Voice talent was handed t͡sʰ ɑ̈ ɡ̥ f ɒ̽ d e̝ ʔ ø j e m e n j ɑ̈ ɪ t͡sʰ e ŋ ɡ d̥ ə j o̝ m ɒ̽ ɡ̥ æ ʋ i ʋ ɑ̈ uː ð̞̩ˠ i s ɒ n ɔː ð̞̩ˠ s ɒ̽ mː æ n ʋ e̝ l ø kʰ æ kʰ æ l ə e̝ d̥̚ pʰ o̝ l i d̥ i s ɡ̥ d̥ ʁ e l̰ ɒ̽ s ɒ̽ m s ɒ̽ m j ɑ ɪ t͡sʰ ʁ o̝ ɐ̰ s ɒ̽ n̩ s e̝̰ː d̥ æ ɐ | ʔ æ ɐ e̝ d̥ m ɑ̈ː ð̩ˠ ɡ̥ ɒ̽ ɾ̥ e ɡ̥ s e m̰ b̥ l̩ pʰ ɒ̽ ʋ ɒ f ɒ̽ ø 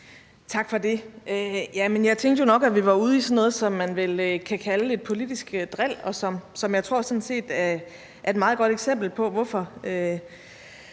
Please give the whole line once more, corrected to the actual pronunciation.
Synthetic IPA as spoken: t͡sʰ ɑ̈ ɡ̥ f ɒ̽ d e̝ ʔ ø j æ m e n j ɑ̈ ɪ t͡sʰ e ŋ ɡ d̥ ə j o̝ n ɒ̽ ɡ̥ æ ʋ i ʋ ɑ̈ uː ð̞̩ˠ i s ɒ n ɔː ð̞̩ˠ s ɒ̽ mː æ n ʋ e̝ l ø kʰ æ kʰ æ l ə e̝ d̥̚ pʰ o̝ l i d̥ i s ɡ̥ d̥ ʁ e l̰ ɒ̽ s ɒ̽ m s ɒ̽ m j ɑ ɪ t͡sʰ ʁ o̝ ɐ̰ s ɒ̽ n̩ s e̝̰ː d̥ æ ɐ | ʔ æ ɐ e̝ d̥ m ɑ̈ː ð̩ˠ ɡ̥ ɒ̽ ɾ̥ e ɡ̥ s e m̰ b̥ l̩ pʰ ɒ̽ ʋ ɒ f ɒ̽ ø